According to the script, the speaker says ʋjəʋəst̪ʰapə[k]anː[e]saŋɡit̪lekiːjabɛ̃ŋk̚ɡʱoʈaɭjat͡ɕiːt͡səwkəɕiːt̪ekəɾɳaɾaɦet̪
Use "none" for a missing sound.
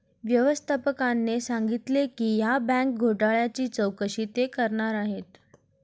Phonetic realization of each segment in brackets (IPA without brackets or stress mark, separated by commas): k, e